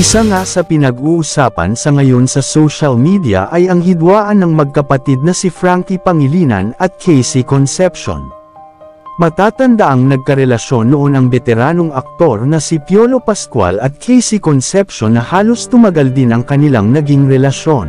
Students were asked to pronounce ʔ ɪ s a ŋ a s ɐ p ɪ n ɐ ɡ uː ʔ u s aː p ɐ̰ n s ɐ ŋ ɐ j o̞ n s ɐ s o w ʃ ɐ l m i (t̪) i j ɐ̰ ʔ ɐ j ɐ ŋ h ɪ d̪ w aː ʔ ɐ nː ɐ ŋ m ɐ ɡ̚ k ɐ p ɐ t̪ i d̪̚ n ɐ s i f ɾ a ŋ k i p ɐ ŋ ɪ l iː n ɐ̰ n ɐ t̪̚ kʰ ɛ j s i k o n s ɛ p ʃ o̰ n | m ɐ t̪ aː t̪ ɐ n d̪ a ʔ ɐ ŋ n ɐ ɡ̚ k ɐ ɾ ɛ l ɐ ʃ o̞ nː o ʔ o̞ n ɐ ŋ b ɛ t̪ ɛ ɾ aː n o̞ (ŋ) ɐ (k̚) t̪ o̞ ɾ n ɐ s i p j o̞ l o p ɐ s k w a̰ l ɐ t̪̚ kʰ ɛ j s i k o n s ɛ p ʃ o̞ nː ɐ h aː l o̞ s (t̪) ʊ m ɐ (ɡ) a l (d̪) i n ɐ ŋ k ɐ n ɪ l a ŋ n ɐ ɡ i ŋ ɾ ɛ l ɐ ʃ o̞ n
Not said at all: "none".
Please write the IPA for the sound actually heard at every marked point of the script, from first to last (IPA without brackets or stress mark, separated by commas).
d̪, ŋ, k̚, t̪, ɡ, d̪